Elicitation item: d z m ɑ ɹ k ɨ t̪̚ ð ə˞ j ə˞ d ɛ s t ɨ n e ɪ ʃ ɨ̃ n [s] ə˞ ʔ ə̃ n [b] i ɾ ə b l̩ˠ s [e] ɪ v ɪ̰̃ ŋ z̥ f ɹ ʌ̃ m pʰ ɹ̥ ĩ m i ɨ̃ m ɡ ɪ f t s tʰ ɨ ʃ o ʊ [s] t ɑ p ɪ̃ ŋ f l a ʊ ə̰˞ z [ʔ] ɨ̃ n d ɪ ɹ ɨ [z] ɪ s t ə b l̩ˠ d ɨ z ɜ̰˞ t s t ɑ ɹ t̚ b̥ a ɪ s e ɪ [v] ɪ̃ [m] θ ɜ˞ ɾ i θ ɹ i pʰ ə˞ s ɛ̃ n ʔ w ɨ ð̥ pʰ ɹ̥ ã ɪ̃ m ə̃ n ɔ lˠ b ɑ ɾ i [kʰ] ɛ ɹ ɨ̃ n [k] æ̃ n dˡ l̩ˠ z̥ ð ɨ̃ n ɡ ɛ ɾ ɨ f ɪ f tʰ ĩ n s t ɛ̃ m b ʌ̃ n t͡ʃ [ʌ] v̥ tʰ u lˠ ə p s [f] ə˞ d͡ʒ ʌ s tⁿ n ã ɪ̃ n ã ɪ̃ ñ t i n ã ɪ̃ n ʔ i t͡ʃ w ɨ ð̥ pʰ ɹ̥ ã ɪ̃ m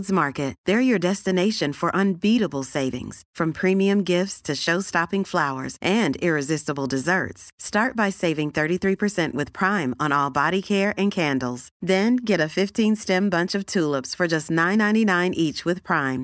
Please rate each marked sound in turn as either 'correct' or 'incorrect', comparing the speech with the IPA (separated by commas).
incorrect, correct, correct, correct, correct, correct, correct, incorrect, correct, incorrect, correct, correct